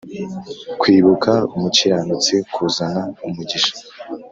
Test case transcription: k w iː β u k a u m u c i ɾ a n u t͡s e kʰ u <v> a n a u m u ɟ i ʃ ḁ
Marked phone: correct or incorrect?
incorrect